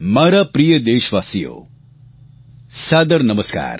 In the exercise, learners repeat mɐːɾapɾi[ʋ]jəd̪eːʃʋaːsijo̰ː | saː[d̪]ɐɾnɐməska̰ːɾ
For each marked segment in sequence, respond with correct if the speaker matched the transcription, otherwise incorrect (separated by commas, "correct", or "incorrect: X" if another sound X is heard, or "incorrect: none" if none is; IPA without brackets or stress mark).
incorrect: none, correct